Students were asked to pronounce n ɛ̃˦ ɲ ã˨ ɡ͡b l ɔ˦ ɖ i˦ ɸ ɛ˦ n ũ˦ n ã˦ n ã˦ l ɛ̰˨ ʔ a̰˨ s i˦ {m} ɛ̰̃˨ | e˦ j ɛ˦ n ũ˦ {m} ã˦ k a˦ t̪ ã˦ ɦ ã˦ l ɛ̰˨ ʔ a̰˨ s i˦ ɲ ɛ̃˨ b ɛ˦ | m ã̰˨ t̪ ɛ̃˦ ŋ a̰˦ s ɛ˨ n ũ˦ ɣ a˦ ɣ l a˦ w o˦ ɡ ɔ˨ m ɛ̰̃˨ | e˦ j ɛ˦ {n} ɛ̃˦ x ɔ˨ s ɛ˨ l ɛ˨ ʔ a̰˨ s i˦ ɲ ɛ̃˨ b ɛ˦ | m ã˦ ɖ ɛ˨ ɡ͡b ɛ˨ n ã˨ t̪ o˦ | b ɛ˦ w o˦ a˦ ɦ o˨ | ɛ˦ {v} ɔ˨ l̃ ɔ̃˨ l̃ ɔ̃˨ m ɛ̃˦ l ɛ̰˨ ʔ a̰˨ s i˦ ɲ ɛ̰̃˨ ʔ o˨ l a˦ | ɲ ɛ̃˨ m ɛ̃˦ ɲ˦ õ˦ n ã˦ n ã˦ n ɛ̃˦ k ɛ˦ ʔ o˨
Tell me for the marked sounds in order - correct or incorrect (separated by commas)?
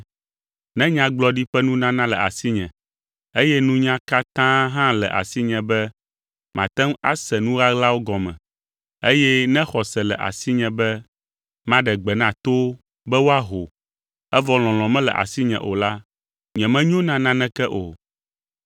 incorrect, incorrect, correct, correct